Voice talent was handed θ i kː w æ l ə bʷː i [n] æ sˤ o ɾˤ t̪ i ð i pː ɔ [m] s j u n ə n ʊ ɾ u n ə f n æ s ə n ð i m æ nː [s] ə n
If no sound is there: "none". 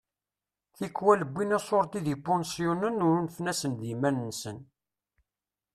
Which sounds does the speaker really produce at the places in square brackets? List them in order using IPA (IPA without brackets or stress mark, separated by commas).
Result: n, n, s